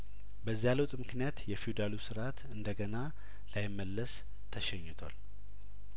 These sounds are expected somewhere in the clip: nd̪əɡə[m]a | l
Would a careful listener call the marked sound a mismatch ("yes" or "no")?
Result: yes